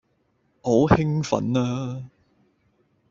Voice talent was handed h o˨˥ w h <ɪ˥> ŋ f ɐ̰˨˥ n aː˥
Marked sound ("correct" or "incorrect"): correct